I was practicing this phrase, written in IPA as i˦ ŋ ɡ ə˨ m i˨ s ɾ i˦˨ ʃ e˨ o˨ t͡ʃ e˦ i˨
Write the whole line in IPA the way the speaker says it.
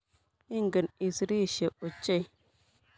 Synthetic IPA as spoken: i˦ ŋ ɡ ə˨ n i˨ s ɾ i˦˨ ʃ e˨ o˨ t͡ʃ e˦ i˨